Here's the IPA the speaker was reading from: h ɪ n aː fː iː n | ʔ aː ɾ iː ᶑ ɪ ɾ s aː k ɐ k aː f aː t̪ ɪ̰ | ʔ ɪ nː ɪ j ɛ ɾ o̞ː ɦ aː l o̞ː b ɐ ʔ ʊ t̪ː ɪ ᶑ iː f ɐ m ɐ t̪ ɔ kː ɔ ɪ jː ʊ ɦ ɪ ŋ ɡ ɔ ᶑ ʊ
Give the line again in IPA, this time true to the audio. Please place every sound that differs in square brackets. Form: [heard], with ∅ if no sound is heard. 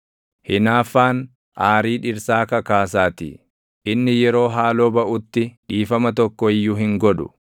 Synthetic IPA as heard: h ɪ n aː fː [aː] n | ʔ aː ɾ iː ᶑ ɪ ɾ s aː k ɐ k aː [s] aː t̪ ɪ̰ | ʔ ɪ nː ɪ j ɛ ɾ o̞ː ɦ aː l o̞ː b ɐ ʔ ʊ t̪ː ɪ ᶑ iː f ɐ m ɐ t̪ ɔ kː ɔ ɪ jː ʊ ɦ ɪ ŋ ɡ ɔ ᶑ ʊ